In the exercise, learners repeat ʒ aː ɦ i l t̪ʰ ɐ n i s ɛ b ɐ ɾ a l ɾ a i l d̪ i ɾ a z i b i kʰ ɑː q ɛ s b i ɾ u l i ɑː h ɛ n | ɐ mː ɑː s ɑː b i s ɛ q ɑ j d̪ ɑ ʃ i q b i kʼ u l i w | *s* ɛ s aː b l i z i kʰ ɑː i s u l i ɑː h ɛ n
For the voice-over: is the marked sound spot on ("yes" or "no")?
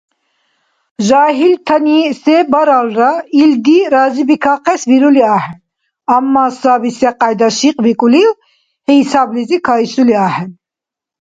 no